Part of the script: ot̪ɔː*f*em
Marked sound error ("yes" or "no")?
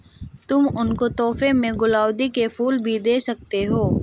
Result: no